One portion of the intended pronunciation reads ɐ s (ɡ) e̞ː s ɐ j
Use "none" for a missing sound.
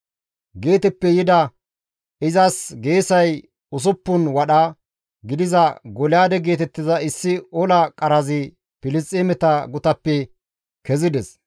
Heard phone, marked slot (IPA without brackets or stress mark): ɡ